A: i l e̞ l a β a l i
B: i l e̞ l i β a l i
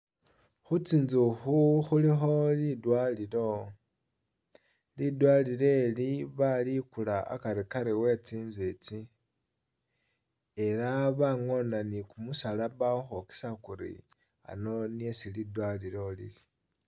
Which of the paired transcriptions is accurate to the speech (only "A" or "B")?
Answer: B